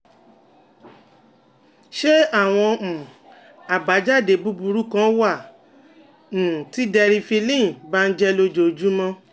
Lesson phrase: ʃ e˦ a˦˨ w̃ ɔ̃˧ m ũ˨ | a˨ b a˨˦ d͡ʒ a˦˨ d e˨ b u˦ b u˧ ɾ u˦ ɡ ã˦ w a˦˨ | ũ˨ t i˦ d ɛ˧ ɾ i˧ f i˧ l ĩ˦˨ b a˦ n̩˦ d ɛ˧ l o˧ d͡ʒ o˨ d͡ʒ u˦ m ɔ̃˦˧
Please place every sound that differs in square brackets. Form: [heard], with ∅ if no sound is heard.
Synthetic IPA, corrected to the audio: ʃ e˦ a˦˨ w̃ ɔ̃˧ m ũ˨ | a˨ b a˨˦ d͡ʒ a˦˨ d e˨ b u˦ b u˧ ɾ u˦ [k] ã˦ w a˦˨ | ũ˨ t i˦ d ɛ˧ ɾ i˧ f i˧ l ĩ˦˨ b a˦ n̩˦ [d͡ʒ] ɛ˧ l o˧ d͡ʒ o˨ d͡ʒ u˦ m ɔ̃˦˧